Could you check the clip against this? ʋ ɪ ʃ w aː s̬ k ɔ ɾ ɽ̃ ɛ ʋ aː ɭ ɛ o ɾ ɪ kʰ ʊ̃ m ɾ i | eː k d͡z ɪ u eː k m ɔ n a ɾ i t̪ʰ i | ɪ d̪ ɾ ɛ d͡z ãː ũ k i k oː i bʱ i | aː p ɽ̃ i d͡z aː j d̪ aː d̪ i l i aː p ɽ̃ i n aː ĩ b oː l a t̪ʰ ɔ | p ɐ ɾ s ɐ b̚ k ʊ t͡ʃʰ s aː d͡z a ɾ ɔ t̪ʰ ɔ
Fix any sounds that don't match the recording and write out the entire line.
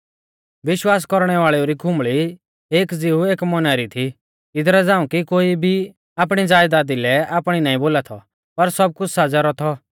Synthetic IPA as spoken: ʋ ɪ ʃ w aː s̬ k ɔ ɾ ɽ̃ ɛ ʋ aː ɭ ɛ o ɾ i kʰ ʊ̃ m ɭ i | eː k d͡z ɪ u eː k m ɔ n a ɾ i t̪ʰ i | ɪ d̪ ɾ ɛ d͡z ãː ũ k i k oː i bʱ i | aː p ɽ̃ i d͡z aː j d̪ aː d̪ i l ɛ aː p ɽ̃ i n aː ĩ b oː l a t̪ʰ ɔ | p ɐ ɾ s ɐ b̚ k ʊ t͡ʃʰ s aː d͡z a ɾ ɔ t̪ʰ ɔ